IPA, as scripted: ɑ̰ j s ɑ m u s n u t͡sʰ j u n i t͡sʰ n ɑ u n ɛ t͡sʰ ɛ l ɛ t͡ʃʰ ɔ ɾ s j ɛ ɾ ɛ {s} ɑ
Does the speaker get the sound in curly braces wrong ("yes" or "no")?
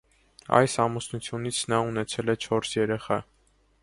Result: yes